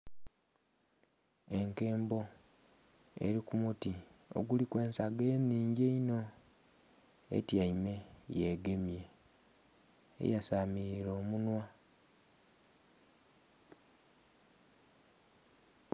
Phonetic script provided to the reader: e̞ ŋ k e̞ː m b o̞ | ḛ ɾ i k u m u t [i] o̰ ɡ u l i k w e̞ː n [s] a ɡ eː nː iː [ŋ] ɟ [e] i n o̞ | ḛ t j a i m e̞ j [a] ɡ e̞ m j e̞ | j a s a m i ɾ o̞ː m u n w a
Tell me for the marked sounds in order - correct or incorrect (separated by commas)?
correct, correct, incorrect, correct, incorrect